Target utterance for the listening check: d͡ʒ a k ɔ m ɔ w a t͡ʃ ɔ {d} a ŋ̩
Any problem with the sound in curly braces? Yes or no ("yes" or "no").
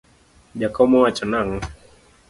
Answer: yes